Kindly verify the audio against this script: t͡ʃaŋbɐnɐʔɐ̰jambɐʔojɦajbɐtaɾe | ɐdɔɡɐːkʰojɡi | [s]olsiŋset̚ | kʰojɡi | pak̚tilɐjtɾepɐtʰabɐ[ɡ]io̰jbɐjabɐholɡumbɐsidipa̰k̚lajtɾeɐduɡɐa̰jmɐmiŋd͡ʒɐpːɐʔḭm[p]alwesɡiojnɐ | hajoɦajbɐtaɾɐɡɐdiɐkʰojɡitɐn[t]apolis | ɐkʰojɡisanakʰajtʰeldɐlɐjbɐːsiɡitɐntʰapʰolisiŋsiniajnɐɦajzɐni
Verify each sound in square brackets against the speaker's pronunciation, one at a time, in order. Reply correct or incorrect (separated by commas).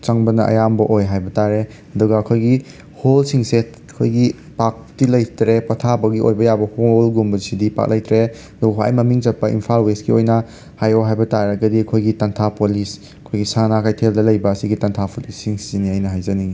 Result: incorrect, correct, incorrect, incorrect